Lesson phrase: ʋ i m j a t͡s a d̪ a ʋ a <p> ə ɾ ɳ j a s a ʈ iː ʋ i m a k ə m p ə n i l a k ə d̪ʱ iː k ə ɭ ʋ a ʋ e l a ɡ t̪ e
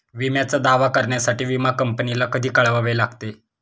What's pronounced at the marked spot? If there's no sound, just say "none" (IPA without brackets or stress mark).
k